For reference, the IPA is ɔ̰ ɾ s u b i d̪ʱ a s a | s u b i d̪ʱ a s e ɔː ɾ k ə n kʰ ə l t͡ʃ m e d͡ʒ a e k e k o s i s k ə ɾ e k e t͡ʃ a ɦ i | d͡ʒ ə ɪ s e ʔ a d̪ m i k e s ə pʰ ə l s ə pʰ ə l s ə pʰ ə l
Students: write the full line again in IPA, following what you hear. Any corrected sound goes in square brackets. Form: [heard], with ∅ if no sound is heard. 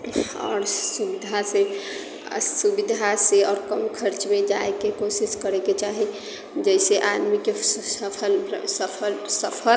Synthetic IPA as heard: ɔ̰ ɾ s u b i d̪ʱ a s [e] | s u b i d̪ʱ a s e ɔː ɾ k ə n kʰ ə [ɾ] t͡ʃ m e d͡ʒ a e k e k o s i s k ə ɾ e k e t͡ʃ a ɦ i | d͡ʒ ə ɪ s e ʔ a d̪ m i k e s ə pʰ ə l s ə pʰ ə l s ə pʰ ə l